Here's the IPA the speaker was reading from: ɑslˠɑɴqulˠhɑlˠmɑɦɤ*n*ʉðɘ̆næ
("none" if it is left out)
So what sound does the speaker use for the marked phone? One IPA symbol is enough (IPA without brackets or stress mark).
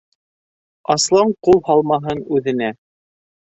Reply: n